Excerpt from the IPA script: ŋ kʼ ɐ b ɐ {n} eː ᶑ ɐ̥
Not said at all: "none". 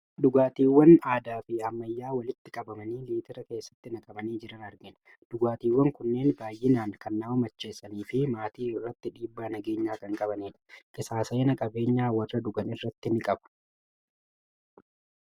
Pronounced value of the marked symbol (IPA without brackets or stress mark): n